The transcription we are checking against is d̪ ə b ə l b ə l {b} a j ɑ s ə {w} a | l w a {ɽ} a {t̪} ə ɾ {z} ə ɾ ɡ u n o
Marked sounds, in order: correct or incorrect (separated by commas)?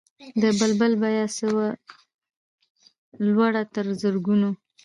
correct, correct, correct, correct, correct